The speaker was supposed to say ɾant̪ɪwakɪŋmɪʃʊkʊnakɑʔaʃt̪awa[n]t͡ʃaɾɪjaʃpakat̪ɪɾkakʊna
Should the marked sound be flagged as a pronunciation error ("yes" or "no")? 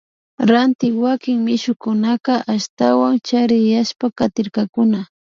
yes